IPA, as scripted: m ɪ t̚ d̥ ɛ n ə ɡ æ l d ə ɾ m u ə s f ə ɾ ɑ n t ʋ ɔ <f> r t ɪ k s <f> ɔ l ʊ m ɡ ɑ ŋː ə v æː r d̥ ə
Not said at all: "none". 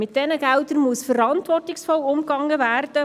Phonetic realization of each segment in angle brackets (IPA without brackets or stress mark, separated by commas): none, f